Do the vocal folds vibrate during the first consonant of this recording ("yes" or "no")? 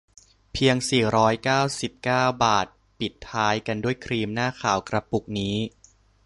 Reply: no